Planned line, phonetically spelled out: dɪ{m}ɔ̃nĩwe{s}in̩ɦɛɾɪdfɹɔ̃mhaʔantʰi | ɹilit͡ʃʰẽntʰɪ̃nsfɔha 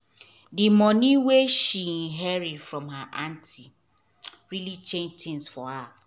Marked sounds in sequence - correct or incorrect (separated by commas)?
correct, incorrect